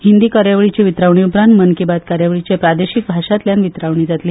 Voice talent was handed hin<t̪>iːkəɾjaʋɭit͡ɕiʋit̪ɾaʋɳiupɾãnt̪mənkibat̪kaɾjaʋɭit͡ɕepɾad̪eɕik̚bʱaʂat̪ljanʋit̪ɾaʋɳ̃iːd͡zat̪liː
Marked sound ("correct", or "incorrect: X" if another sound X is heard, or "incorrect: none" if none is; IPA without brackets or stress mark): incorrect: d̪